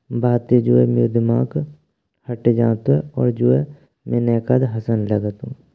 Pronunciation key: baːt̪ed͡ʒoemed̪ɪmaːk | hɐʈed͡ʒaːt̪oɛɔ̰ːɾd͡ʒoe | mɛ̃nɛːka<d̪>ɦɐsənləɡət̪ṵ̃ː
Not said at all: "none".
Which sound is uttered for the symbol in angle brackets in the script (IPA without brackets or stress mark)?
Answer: d̪